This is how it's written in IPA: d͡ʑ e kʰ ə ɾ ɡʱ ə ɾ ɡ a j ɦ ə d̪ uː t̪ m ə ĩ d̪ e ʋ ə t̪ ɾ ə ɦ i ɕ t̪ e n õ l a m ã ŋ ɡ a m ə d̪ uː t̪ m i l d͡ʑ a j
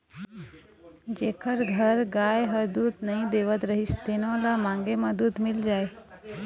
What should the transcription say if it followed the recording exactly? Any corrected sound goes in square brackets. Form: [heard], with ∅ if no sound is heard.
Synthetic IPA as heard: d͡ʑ e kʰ ə ɾ ɡʱ ə ɾ ɡ a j ɦ ə d̪ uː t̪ [n] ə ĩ d̪ e ʋ ə t̪ ɾ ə ɦ i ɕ t̪ e n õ l a m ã ŋ ɡ [e] m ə d̪ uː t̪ m i l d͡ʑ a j

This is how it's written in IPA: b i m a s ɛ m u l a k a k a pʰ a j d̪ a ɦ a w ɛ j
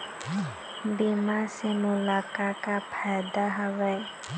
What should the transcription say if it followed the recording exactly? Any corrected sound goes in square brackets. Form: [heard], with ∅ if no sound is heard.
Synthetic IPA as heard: b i m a s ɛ m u l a k a k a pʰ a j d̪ a ɦ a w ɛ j

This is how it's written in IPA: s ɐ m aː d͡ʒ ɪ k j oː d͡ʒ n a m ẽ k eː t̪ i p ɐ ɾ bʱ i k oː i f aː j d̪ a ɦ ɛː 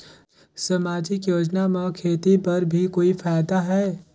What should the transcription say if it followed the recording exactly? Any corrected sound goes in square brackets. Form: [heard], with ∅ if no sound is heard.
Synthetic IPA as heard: s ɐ m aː d͡ʒ ɪ k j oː d͡ʒ n a m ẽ [kʰ] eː t̪ i p ɐ ɾ bʱ i k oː i f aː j d̪ a ɦ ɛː

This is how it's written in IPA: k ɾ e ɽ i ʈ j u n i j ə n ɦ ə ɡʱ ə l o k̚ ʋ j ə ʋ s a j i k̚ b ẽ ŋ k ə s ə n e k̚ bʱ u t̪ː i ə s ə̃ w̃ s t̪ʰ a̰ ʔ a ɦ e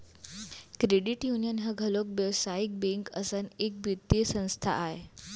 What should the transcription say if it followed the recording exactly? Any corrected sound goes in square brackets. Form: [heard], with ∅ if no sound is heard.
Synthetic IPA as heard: k ɾ e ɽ i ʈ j u n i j ə n ɦ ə ɡʱ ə l o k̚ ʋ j ə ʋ s a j i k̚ b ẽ ŋ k ə s ə n e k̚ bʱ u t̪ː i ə s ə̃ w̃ s t̪ʰ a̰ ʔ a ɦ e

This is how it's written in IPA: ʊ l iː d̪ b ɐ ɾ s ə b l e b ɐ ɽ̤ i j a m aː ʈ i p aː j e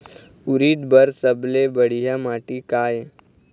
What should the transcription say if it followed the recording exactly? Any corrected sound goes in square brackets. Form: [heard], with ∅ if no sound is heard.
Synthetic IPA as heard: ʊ [ɾ] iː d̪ b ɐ ɾ s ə b l e b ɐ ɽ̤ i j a m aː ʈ i [k] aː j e

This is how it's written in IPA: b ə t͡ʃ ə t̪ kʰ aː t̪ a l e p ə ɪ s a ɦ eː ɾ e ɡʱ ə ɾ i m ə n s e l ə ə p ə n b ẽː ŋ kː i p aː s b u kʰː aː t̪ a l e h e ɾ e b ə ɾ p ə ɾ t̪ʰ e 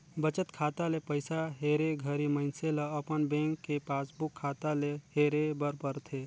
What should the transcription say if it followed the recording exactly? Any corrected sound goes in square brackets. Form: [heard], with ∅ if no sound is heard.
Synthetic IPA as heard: b ə t͡ʃ ə t̪ kʰ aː t̪ a l e p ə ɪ s a ɦ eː ɾ e ɡʱ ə ɾ i m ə n s e l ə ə p ə n b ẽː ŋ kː [e] p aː s b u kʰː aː t̪ a l e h e ɾ e b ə ɾ p ə ɾ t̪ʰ e

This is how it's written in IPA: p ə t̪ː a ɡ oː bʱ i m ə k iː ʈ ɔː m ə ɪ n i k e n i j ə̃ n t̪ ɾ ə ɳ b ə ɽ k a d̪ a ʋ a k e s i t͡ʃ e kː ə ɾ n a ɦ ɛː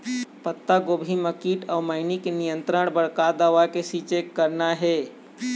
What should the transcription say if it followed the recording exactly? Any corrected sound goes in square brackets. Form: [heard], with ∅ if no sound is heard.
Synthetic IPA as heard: p ə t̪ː a ɡ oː bʱ i m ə k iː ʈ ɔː m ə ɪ n i k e n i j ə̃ n t̪ ɾ ə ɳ b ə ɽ k a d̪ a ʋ a k e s i t͡ʃ e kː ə ɾ n a ɦ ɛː

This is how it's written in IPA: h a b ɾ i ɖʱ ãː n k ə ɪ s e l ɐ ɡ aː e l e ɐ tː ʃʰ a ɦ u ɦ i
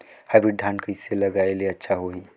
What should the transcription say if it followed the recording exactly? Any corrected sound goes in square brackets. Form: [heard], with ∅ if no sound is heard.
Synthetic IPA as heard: h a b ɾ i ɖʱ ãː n k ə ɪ s e l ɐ ɡ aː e l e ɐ tː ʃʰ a ɦ [o] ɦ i

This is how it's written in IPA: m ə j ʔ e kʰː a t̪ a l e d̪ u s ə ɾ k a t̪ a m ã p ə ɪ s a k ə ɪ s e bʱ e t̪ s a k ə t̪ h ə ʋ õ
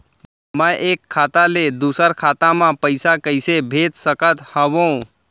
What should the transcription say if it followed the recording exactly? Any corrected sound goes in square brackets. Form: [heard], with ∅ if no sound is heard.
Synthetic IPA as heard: m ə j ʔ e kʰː a t̪ a l e d̪ u s ə ɾ [kʰ] a t̪ a m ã p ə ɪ s a k ə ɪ s e bʱ e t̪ s [ə] k ə t̪ h ə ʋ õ

